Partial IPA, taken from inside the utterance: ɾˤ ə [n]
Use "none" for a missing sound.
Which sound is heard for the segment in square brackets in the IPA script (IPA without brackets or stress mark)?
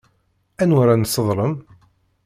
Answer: m